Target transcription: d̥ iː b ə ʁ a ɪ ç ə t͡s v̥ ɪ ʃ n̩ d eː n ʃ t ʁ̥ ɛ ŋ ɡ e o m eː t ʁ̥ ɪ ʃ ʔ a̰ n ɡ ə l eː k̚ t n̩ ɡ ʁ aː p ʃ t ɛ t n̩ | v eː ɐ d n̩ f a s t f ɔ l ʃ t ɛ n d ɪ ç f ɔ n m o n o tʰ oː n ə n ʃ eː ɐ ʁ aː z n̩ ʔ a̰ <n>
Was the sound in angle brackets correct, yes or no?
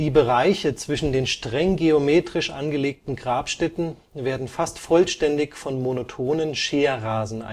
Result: no